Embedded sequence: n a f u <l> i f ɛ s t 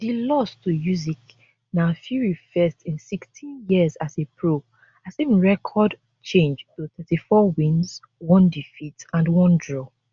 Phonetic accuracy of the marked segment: incorrect: ɹ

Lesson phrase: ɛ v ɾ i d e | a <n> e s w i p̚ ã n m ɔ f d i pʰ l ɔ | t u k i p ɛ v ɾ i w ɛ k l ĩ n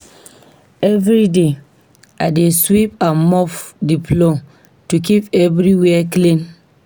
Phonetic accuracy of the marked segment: incorrect: d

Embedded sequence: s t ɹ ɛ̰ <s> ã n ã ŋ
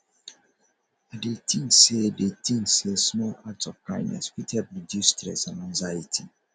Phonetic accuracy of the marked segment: correct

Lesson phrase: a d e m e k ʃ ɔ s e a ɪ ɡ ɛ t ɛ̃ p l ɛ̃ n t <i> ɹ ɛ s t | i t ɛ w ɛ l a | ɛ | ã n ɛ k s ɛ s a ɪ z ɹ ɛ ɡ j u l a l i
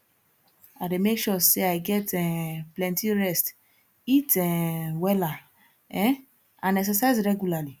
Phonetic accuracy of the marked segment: correct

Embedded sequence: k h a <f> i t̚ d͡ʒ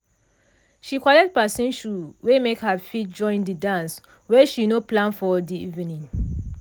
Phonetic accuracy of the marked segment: correct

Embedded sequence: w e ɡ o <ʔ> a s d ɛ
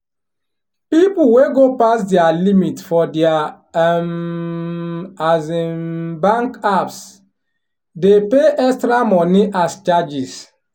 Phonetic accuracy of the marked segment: incorrect: p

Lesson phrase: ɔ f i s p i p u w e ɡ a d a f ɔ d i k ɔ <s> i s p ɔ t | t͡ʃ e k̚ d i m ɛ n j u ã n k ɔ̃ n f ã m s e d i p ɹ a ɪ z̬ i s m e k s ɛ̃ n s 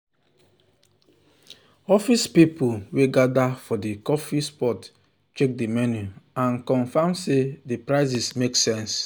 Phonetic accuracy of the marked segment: incorrect: f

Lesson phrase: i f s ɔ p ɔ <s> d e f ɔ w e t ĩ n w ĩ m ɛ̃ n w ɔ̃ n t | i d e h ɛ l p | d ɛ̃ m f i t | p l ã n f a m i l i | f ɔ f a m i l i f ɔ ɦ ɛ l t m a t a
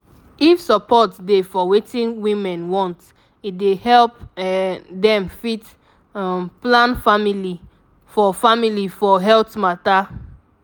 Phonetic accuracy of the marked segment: incorrect: t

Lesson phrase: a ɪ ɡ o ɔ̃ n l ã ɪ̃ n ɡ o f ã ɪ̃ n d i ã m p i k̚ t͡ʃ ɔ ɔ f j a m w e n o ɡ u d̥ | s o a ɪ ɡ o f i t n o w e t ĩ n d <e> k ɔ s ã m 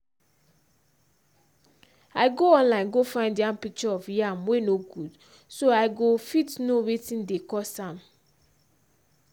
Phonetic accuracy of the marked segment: correct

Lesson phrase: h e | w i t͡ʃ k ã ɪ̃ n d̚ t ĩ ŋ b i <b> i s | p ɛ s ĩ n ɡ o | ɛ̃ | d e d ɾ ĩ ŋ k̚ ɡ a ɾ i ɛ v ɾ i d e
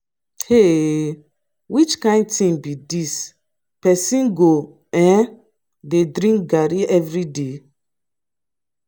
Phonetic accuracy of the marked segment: incorrect: d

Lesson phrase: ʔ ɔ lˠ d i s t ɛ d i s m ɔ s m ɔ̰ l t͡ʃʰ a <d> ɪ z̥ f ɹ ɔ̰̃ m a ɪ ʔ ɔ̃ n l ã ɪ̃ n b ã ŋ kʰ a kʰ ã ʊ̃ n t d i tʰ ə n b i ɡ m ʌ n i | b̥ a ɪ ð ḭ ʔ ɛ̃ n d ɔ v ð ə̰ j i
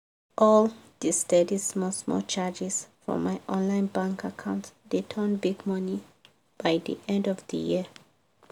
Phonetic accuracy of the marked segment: incorrect: d͡ʒ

